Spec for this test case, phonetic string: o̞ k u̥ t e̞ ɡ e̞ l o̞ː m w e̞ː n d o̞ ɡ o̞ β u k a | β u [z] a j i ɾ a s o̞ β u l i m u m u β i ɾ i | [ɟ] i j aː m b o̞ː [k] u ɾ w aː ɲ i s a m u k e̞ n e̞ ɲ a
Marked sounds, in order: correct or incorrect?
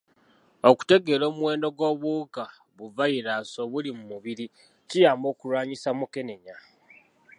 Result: incorrect, incorrect, correct

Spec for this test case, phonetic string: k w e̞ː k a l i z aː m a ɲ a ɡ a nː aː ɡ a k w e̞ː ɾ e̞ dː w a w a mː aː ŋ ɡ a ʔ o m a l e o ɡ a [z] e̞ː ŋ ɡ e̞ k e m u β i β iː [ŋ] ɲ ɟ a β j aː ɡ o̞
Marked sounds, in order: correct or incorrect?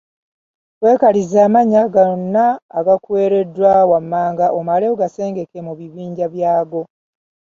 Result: incorrect, incorrect

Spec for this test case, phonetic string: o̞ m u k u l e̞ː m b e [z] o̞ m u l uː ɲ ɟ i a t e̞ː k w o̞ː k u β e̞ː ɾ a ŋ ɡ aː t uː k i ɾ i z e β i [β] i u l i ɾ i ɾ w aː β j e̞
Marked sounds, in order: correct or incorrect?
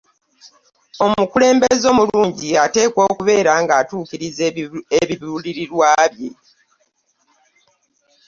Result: correct, correct

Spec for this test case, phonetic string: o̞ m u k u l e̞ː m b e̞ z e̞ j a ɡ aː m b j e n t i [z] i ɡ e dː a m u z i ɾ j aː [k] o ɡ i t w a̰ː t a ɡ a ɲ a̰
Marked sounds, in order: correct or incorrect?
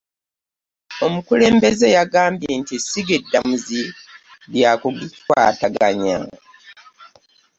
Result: incorrect, correct

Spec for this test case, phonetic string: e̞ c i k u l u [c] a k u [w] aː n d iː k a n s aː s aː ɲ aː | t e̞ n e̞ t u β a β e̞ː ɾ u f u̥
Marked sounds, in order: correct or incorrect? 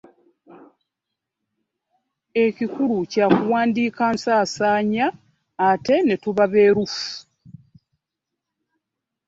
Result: correct, correct

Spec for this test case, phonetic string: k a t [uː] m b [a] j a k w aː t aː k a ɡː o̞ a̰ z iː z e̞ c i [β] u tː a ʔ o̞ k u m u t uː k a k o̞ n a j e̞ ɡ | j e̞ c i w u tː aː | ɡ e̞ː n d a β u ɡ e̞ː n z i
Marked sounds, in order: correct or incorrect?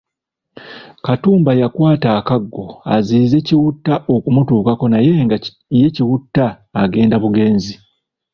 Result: correct, correct, incorrect

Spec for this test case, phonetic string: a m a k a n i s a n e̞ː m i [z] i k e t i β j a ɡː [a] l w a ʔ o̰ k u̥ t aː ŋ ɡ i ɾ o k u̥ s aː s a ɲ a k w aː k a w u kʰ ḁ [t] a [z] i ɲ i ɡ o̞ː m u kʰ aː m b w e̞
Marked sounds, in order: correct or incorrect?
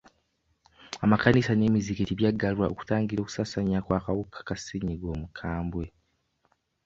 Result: correct, correct, incorrect, incorrect

